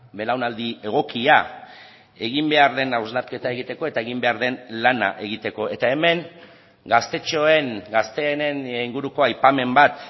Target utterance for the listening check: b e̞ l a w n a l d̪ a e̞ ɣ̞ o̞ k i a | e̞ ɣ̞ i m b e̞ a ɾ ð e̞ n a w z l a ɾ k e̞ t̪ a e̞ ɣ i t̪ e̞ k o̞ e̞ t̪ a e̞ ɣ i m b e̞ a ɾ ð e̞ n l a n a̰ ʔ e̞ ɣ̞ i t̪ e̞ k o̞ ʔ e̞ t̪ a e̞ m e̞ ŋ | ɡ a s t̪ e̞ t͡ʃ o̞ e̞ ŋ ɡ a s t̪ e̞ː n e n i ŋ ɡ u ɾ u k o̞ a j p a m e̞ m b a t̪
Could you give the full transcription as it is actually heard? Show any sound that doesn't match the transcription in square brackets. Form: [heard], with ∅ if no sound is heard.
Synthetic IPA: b e̞ l a w n a l d̪ [i] e̞ ɣ̞ o̞ k i a | e̞ ɣ̞ i m b e̞ a ɾ ð e̞ n a w z l a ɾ k e̞ t̪ a e̞ ɣ i t̪ e̞ k o̞ e̞ t̪ a e̞ ɣ i m b e̞ a ɾ ð e̞ n l a n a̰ ʔ e̞ ɣ̞ i t̪ e̞ k o̞ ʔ e̞ t̪ a e̞ m e̞ ŋ | ɡ a s t̪ e̞ t͡ʃ o̞ e̞ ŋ ɡ a s t̪ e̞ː n e n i ŋ ɡ u ɾ u k o̞ a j p a m e̞ m b a t̪